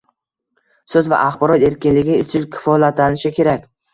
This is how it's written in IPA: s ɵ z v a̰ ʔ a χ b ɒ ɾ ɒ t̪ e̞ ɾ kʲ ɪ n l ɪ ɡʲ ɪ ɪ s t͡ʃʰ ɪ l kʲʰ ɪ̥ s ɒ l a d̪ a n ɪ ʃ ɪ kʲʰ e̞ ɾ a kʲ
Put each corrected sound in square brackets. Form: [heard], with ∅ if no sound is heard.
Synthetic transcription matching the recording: s ɵ z v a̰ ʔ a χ b ɒ ɾ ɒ t̪ e̞ ɾ kʲ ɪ n l ɪ ɡʲ ɪ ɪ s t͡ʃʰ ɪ l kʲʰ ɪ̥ [f] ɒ l a [t̪] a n ɪ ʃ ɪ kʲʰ e̞ ɾ a kʲ

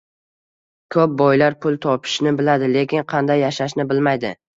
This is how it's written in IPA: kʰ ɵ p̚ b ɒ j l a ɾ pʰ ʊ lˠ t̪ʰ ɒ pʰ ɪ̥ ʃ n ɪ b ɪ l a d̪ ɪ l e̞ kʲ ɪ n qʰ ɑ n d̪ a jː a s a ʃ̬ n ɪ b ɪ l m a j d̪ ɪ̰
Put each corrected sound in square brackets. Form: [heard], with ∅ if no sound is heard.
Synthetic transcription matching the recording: kʰ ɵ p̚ b ɒ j l a ɾ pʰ ʊ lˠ t̪ʰ ɒ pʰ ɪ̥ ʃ n ɪ b ɪ l a d̪ ɪ l e̞ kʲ ɪ n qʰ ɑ n d̪ a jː a [ʃ] a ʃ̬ n ɪ b ɪ l m a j d̪ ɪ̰

